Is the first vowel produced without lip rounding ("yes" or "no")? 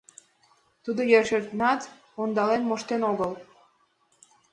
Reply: no